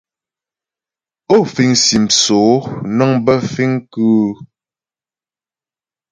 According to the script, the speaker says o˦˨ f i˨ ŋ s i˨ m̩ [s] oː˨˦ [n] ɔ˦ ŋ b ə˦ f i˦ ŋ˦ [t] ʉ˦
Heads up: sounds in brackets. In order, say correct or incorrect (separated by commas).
correct, correct, incorrect